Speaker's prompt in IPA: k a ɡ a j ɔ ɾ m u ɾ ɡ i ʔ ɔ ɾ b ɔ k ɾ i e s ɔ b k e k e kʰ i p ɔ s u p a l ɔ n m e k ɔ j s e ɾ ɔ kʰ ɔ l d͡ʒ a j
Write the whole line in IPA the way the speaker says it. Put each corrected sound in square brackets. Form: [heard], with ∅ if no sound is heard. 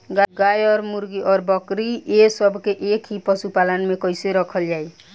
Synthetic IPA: [ɡ] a ɡ a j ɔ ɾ m u ɾ ɡ i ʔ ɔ ɾ b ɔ k ɾ i e s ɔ b k e [ʔ] e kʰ i p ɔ s u p a l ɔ n m e k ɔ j s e ɾ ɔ kʰ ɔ l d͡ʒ a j